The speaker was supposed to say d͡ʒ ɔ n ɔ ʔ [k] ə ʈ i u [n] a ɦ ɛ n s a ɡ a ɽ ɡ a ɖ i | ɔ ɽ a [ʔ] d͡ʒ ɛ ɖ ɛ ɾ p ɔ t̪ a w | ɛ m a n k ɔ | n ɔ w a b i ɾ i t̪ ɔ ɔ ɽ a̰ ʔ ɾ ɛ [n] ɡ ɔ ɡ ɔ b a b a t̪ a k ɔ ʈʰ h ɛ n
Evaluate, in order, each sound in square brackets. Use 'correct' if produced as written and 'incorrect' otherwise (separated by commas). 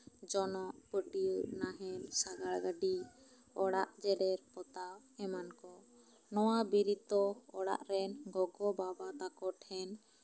incorrect, correct, correct, correct